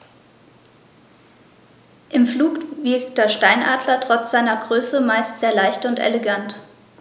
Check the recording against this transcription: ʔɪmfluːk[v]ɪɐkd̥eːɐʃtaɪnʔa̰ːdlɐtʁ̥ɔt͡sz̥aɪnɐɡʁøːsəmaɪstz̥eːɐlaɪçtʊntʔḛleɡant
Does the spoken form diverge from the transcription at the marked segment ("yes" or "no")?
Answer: no